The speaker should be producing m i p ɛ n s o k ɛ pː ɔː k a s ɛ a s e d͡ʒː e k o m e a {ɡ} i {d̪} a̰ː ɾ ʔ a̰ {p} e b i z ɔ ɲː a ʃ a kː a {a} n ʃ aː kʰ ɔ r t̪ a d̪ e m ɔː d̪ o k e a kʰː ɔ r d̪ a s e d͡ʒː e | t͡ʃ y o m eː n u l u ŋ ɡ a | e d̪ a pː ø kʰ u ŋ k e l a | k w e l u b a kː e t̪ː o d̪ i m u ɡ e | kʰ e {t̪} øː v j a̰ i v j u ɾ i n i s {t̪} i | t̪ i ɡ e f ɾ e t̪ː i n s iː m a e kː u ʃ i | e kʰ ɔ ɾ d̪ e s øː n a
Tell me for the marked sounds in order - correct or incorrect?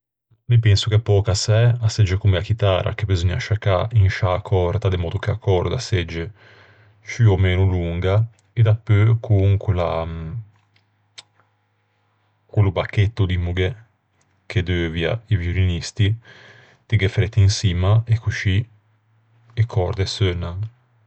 incorrect, incorrect, incorrect, incorrect, incorrect, correct

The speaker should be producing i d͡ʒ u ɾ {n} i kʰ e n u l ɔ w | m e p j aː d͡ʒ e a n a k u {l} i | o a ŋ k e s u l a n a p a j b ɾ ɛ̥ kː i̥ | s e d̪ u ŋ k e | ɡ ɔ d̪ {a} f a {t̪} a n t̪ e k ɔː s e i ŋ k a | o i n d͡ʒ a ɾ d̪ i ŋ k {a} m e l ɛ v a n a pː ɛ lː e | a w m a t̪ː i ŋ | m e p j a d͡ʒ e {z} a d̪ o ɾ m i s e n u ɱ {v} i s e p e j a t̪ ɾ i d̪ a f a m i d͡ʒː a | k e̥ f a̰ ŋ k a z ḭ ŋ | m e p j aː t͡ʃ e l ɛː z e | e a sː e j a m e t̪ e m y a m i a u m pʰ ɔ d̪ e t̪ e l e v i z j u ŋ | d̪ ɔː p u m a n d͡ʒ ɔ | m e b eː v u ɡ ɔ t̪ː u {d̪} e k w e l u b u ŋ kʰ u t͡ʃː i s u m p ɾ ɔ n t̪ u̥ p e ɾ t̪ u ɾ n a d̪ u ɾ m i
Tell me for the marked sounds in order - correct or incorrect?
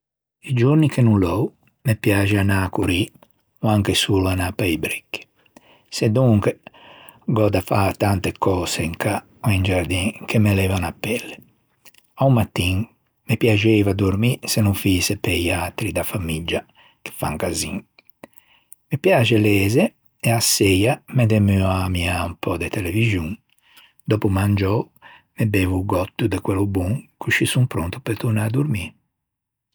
correct, incorrect, correct, correct, incorrect, incorrect, incorrect, correct

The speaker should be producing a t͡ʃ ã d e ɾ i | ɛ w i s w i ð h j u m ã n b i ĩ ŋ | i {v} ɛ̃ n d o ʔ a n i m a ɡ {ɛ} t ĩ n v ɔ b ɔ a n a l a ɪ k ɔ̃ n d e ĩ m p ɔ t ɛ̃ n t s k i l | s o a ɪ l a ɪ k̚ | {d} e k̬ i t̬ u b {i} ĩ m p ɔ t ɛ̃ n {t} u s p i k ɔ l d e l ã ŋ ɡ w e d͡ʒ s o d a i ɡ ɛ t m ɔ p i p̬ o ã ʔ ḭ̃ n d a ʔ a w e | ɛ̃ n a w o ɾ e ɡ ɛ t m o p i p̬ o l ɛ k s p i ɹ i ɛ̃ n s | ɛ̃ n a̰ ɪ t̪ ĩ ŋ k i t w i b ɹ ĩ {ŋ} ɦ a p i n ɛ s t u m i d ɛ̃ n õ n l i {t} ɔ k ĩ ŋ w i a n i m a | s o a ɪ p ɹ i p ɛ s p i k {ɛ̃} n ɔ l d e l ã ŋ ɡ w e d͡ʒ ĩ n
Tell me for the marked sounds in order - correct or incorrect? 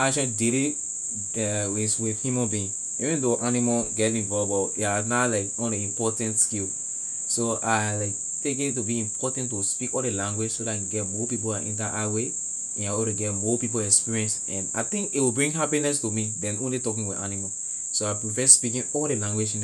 correct, correct, incorrect, correct, correct, correct, correct, incorrect

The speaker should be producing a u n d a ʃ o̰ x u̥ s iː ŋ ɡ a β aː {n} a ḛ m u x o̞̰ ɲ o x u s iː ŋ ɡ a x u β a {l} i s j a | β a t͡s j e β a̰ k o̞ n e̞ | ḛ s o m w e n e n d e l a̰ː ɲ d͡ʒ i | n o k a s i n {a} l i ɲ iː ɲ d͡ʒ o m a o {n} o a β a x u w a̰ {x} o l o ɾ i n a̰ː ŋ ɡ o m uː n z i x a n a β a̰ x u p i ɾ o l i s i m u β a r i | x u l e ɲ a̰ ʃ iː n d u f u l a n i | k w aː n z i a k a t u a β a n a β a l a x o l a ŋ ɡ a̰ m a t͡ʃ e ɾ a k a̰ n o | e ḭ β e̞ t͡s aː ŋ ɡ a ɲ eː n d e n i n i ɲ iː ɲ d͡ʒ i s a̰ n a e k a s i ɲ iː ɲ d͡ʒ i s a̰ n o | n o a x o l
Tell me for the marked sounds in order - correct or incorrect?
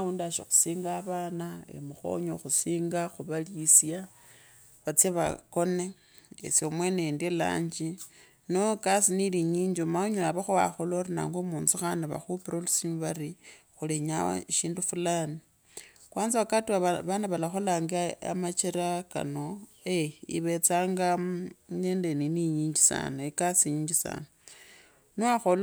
correct, correct, incorrect, incorrect, correct

